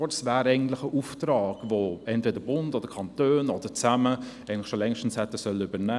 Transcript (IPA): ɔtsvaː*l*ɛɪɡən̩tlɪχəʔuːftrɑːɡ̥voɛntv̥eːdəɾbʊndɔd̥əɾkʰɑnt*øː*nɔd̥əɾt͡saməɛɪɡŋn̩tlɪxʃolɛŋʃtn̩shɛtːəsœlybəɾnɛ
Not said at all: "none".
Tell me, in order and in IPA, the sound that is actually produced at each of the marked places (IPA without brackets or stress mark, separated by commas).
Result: ɾ, øː